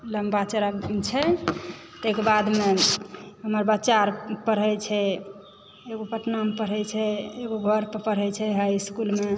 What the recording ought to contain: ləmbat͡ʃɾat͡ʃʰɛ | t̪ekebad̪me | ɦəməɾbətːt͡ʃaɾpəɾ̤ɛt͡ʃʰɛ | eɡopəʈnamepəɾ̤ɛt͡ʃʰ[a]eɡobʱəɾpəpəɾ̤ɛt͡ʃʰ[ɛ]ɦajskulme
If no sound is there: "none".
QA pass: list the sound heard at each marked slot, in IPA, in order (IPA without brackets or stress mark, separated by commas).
ɛ, ɛ